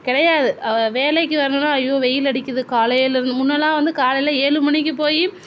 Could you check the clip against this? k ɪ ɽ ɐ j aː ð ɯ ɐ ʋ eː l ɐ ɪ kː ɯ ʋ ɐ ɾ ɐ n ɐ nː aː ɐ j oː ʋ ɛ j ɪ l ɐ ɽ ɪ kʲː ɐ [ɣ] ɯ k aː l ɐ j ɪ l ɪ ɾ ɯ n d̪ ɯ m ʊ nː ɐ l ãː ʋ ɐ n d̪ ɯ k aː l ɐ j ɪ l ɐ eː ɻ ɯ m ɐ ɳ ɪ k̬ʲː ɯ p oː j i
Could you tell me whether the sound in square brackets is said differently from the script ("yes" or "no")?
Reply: yes